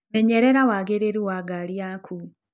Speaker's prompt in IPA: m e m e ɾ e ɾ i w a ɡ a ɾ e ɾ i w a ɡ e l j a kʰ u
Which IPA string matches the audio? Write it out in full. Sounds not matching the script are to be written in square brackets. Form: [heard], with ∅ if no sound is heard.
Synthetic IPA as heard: m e [ɲ] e ɾ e ɾ [a] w a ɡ [e] ɾ e ɾ i w a ɡ [a] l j a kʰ u